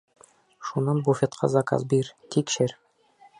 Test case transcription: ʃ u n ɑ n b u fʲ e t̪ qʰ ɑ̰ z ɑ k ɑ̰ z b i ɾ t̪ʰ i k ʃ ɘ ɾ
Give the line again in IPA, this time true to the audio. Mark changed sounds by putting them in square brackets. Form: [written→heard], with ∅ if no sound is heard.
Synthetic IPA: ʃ u n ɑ n b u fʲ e t̪ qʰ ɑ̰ z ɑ k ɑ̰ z b i ɾ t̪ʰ i k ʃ ɘ ɾ